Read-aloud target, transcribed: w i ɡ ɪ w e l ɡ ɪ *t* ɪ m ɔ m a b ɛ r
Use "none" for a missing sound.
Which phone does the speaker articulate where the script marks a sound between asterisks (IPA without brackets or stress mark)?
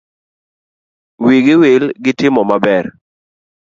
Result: t